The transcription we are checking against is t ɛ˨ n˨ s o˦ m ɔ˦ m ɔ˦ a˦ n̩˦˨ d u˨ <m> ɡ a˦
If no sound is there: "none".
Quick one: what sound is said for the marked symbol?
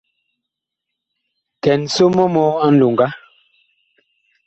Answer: ŋ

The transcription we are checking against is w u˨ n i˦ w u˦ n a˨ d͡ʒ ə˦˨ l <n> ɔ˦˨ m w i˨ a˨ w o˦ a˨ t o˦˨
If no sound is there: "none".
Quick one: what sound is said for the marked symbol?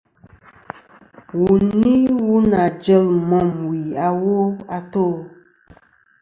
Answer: m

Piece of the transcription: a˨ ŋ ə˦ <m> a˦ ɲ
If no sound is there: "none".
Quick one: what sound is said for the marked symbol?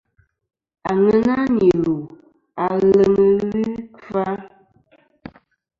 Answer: n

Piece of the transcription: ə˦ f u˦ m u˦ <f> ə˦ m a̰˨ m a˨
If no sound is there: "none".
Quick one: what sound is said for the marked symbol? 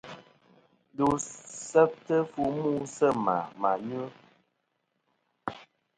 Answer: s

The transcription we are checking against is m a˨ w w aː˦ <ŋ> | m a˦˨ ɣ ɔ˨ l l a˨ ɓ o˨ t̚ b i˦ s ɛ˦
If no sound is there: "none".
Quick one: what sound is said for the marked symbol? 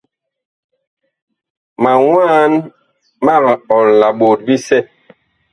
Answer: n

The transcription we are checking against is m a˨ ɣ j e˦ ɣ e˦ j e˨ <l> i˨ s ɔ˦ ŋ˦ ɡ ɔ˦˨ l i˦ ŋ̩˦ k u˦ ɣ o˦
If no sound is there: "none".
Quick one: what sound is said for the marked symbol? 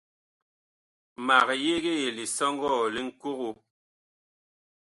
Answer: l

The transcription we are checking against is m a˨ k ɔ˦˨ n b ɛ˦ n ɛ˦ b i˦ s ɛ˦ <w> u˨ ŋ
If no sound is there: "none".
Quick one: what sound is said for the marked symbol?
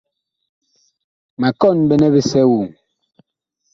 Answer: w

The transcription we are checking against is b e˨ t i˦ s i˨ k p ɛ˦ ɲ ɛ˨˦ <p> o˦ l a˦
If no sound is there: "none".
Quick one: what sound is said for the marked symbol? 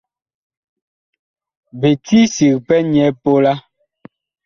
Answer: p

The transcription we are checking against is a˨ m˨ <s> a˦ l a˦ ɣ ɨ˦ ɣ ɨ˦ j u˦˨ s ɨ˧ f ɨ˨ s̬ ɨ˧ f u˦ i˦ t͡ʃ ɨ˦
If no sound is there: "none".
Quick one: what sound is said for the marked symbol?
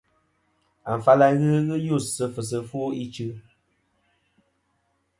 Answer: f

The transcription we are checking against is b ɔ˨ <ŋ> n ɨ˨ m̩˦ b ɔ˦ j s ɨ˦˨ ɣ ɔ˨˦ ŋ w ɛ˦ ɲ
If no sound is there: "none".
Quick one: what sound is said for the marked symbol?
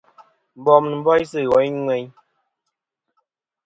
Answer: m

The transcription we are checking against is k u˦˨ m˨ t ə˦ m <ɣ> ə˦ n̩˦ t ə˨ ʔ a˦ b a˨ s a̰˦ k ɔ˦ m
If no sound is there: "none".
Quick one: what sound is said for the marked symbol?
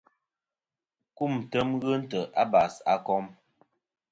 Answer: ɣ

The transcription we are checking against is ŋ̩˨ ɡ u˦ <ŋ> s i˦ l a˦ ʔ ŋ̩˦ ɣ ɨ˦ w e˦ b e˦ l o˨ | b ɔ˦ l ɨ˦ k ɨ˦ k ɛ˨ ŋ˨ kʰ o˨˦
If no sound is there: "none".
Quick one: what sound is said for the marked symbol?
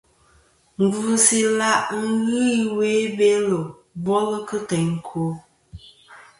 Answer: none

